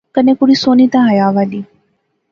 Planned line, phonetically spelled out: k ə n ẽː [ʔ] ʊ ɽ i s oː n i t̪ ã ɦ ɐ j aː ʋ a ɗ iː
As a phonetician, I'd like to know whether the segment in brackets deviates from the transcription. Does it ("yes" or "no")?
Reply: yes